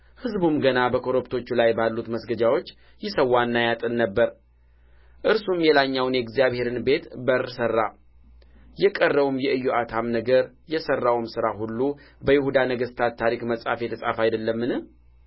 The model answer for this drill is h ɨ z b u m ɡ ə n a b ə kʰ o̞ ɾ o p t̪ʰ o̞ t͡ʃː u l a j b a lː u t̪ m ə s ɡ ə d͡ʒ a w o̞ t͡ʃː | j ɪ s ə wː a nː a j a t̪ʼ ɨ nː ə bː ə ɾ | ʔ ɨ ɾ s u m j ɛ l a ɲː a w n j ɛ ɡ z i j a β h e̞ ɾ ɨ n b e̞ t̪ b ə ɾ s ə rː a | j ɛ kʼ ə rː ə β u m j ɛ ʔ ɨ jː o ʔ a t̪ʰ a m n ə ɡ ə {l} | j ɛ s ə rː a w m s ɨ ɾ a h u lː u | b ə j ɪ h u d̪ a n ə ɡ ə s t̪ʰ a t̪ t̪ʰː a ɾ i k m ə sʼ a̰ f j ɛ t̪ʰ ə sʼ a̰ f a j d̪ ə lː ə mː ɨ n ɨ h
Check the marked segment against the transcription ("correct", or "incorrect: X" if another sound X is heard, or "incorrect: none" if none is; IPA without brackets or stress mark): incorrect: ɾ